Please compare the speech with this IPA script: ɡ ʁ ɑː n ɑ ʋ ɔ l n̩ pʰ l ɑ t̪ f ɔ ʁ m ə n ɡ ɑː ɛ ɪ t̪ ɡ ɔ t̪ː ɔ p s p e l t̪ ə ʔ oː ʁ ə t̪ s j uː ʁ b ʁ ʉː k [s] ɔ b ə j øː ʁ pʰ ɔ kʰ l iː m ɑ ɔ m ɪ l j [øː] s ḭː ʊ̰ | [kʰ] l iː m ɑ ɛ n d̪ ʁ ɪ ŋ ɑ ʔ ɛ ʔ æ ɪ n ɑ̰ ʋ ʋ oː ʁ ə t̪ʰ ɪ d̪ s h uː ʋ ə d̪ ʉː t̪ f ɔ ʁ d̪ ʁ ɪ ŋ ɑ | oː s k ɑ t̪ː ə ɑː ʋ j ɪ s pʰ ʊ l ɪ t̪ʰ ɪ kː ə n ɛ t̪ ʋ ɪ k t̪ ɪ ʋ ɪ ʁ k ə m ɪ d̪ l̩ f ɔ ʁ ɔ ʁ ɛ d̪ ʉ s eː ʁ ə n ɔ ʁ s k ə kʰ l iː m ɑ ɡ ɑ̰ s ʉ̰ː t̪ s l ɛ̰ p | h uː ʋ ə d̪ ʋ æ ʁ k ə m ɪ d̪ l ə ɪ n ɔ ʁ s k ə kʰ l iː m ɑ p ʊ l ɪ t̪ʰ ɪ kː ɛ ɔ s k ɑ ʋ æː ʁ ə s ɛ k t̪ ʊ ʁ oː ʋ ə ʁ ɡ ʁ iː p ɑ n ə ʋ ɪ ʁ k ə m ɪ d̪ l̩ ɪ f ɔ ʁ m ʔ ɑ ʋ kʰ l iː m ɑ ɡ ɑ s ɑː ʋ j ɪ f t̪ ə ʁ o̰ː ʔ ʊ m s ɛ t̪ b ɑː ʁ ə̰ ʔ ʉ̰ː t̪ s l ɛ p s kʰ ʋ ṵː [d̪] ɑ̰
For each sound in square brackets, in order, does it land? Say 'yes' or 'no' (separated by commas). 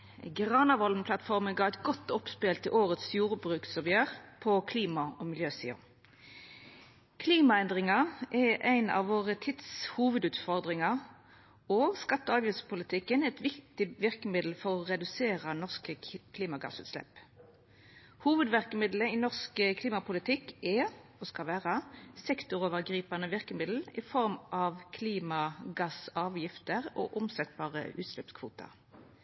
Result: yes, yes, yes, no